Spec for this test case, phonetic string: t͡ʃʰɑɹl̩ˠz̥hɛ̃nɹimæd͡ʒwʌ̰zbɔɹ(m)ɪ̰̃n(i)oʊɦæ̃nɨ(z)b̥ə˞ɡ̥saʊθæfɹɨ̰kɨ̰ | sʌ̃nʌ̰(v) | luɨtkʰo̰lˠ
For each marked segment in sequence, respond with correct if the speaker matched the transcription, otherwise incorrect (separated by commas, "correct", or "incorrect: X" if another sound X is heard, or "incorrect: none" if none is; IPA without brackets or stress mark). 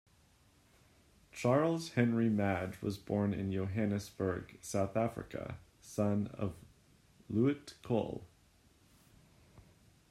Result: incorrect: n, incorrect: j, incorrect: s, correct